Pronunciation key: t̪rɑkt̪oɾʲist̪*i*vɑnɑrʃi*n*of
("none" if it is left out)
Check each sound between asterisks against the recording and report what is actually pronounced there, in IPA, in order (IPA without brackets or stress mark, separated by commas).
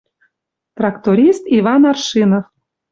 i, n